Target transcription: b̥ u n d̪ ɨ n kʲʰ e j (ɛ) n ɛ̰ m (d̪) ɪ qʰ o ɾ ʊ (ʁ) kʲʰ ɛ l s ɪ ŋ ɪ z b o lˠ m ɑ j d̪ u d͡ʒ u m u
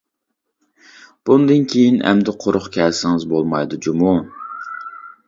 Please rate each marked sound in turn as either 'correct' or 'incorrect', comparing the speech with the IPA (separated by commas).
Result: incorrect, correct, incorrect